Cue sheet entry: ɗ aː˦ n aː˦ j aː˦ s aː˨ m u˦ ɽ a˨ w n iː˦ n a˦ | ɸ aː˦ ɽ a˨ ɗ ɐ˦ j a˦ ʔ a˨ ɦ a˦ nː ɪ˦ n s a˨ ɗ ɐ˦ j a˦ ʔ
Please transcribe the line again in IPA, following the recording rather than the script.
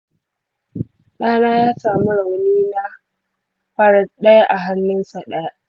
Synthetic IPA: ɗ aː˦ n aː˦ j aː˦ s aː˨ m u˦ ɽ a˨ w n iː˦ n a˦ | ɸ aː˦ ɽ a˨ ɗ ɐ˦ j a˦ ʔ a˨ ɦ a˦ nː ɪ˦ n s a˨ ɗ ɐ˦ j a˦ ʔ